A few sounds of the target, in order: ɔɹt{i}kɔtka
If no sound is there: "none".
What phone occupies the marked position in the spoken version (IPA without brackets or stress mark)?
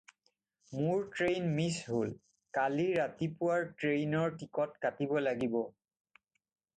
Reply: i